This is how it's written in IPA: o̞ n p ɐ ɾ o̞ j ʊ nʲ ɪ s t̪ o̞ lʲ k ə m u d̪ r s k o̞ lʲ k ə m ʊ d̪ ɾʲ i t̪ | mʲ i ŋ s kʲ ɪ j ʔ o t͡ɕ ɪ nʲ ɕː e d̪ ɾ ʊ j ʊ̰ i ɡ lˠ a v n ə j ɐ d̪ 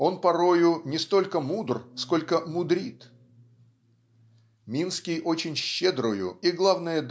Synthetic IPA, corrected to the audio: o̞ n p ɐ ɾ o̞ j ʊ nʲ ɪ s t̪ o̞ lʲ k ə m u d̪ r s k o̞ lʲ k ə m ʊ d̪ ɾʲ i t̪ | mʲ i n s kʲ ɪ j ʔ o t͡ɕ ɪ nʲ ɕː e d̪ ɾ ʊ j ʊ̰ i ɡ lˠ a v n ə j ə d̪